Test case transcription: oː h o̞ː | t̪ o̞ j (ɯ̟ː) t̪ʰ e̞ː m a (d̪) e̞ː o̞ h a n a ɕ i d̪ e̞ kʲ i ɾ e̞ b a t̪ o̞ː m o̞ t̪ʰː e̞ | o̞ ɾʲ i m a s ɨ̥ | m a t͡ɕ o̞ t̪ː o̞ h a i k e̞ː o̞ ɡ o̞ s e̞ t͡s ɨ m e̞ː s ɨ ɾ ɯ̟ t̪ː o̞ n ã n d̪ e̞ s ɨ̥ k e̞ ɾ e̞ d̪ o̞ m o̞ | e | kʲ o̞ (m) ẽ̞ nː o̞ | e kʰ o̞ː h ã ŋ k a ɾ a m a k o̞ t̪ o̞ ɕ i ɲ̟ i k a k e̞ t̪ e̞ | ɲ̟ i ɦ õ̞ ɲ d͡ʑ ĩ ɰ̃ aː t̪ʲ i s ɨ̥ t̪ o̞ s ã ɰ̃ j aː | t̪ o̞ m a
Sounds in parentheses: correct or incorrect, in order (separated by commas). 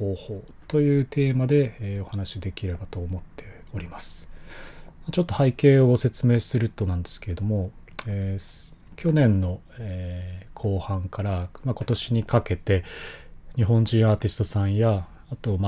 correct, correct, incorrect